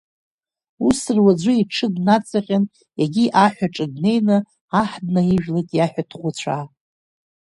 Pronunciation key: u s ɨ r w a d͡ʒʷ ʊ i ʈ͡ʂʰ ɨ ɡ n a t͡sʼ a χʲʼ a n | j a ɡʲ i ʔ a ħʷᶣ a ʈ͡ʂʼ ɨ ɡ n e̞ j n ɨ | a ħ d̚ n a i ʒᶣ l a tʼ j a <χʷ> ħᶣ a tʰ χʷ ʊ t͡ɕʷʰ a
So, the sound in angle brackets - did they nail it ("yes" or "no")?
no